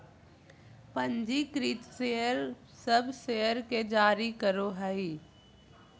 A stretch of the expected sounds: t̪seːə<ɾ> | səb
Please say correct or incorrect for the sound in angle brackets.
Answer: correct